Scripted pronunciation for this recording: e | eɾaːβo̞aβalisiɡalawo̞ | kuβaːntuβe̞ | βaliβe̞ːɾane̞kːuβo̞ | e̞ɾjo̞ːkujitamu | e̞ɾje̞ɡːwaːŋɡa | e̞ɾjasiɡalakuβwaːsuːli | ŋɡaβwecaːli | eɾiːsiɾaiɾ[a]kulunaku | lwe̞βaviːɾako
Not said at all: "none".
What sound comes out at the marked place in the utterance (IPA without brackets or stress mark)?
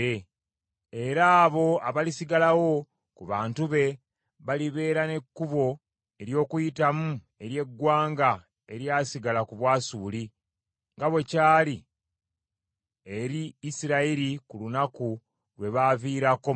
i